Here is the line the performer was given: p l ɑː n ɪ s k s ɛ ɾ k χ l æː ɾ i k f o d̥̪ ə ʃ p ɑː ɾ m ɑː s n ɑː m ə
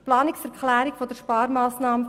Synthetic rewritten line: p l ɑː n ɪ k s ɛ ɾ k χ l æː ɾ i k f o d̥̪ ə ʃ p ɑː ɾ m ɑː s n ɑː m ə